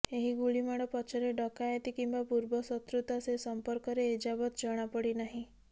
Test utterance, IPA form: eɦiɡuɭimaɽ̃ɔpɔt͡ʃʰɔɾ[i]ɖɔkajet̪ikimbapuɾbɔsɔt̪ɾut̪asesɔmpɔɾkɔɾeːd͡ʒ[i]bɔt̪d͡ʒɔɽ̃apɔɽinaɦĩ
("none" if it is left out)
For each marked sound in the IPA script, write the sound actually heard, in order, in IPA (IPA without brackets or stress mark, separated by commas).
e, a